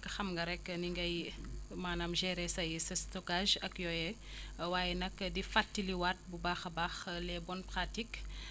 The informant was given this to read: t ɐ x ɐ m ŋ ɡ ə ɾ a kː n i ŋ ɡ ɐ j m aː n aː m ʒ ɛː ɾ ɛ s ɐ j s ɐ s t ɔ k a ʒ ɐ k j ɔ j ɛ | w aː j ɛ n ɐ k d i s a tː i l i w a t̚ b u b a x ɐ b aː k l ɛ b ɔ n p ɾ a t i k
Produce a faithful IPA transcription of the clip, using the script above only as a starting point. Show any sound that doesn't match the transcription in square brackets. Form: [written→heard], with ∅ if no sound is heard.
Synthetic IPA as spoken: [t→k] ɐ x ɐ m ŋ ɡ [ə→ɐ] ɾ [a→ɛ] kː n i ŋ ɡ ɐ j m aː n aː m ʒ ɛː ɾ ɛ s ɐ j s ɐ s t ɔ k a ʒ ɐ k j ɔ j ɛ | w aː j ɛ n ɐ k d i [s→f] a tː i l i w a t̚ b u b a x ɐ b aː [k→x] l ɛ b ɔ n p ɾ a t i k